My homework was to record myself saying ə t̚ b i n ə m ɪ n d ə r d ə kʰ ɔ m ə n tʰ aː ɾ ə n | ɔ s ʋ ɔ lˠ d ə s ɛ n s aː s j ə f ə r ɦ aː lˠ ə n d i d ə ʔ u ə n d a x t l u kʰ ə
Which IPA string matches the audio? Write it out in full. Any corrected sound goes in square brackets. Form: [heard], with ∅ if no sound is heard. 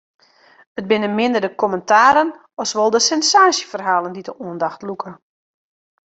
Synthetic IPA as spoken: ə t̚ b [ɪ] n ə m ɪ n d ə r d ə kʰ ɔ m ə n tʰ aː ɾ ə n | ɔ s ʋ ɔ lˠ d ə s ɛ n s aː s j ə f ə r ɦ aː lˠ ə n d i d ə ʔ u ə n d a x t l u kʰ ə